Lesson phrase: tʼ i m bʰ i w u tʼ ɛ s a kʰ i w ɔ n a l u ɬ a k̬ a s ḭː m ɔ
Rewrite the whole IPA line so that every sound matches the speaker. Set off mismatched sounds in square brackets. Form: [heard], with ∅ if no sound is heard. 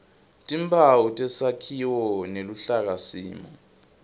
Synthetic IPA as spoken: tʼ i m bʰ [a] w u tʼ ɛ s a kʰ i w ɔ n [e] l u ɬ a k̬ a s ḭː m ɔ